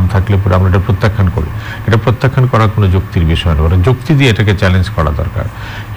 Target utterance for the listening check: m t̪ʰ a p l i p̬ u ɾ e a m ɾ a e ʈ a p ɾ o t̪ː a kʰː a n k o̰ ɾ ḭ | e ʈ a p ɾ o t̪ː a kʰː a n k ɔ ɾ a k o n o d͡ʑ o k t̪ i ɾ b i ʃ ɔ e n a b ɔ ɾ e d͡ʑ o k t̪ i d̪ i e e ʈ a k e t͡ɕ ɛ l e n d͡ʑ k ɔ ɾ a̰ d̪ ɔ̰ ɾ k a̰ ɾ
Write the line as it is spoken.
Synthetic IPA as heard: m t̪ʰ a k l e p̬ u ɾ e a m ɾ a e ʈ a p ɾ o t̪ː a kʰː a n k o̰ ɾ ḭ | e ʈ a p ɾ o t̪ː a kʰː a n k ɔ ɾ a k o n o d͡ʑ o k t̪ i ɾ b i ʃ ɔ e n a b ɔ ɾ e d͡ʑ o k t̪ i d̪ i e e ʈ a k e t͡ɕ ɛ l e n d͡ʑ k ɔ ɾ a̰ d̪ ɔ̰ ɾ k a̰ ɾ

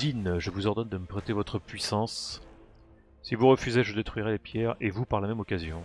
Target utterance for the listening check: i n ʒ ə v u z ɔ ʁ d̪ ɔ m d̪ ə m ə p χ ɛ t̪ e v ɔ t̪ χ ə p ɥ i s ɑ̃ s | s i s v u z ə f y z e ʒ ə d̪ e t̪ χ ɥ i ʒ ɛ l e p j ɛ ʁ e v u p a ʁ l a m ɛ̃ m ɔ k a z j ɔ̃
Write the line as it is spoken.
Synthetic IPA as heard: i n ʒ ə v u z ɔ ʁ d̪ ɔ n d̪ ə m ə p χ ɛ t̪ e v ɔ t̪ χ ə p ɥ i s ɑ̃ s | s i v u ʁ ə f y z e ʒ ə d̪ e t̪ χ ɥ i ʁ ɛ l e p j ɛ ʁ e v u p a ʁ l a m ɛ m ɔ k a z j ɔ̃

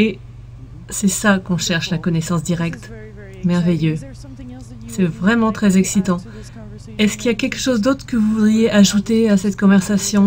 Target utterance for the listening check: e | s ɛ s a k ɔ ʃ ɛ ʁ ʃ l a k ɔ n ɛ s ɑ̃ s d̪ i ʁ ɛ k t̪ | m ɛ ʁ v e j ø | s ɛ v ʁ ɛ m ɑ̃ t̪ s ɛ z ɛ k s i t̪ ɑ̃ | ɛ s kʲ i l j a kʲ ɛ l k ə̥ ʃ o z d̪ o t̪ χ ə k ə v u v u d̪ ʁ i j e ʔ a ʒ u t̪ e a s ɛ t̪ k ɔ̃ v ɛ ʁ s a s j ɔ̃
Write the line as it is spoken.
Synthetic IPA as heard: e | s ɛ s a k ɔ̃ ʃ ɛ ʁ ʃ l a k ɔ n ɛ s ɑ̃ s d̪ i ʁ ɛ k t̪ | m ɛ ʁ v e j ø | s ɛ v ʁ ɛ m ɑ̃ t̪ χ ɛ z ɛ k s i t̪ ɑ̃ | ɛ s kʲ i l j a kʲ ɛ l k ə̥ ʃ o z d̪ o t̪ χ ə k ə v u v u d̪ ʁ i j e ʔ a ʒ u t̪ e a s ɛ t̪ k ɔ̃ v ɛ ʁ s a s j ɔ̃

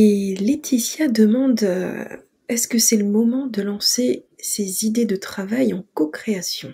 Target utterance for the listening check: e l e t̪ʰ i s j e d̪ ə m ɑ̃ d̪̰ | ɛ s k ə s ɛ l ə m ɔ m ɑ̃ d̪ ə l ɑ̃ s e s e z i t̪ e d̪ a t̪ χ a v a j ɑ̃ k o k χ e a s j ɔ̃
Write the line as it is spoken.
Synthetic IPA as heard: e l e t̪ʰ i s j a d̪ ə m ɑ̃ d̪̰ | ɛ s k ə s ɛ l ə m ɔ m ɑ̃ d̪ ə l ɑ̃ s e s e z i d̪ e d̪ ə t̪ χ a v a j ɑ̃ k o k χ e a s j ɔ̃

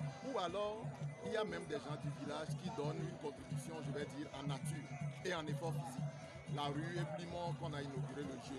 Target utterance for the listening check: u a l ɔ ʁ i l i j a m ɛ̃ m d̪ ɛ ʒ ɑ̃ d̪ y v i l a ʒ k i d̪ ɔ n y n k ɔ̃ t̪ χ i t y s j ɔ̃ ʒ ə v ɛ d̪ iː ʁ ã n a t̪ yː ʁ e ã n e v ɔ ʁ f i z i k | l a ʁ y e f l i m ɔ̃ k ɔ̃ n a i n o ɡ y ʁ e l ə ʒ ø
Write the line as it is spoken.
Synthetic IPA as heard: u a l ɔ ʁ i l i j a m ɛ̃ m d̪ ɛ ʒ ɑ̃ d̪ y v i l a ʒ k i d̪ ɔ n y n k ɔ̃ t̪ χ i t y s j ɔ̃ ʒ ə v ɛ d̪ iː ʁ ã n a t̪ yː ʁ e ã n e f ɔ ʁ f i z i k | l a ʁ y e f l i m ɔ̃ k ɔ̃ n a i n o ɡ y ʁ e l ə ʒ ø

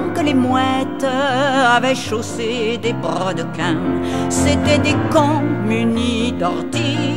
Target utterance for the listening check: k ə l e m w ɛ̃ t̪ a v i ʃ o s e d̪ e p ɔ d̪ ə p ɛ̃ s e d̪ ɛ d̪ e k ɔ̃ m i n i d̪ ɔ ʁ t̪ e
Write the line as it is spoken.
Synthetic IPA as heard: k ə l e m w ɛ t̪ a v ɛ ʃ o s e d̪ e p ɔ d̪ ə k ɛ̃ s e t̪ ɛ d̪ e k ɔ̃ m y n i d̪ ɔ ʁ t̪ i

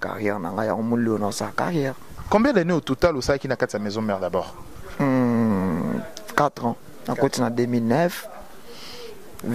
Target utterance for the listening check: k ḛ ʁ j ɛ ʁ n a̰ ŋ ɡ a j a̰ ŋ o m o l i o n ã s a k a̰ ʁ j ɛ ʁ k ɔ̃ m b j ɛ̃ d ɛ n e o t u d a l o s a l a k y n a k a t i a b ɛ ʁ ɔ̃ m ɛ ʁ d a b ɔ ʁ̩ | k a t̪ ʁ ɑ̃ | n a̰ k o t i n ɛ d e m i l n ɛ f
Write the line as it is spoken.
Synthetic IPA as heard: k a̰ ʁ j ɛ ʁ n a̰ ŋ ɡ a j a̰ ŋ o m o l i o n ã s a k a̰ ʁ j ɛ ʁ k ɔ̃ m b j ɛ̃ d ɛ n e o t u t a l o s a l a k i n a k a t i a m ɛ z ɔ̃ m ɛ ʁ d a b ɔ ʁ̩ | k a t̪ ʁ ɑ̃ | n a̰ k o t i n a d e m i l n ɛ f

